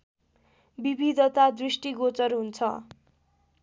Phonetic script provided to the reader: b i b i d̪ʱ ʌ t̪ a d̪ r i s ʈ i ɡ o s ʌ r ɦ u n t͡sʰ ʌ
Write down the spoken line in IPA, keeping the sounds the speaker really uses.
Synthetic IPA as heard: b i b i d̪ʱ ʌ t̪ a d̪ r i s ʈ i ɡ o t͡s ʌ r ɦ u n t͡sʰ ʌ